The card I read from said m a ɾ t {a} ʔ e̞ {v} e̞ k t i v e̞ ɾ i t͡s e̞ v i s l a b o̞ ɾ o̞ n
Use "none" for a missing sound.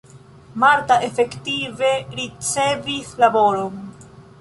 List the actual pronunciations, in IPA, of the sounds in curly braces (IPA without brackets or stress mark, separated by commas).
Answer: a, f